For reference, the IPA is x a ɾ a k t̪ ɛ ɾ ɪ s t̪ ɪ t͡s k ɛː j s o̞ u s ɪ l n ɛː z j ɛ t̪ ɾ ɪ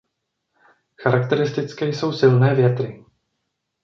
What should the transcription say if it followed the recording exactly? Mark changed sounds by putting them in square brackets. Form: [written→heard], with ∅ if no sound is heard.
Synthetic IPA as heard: x a ɾ a k t̪ ɛ ɾ ɪ s t̪ ɪ t͡s k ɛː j s o̞ [u→w] s ɪ l n ɛː [z→v] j ɛ t̪ ɾ ɪ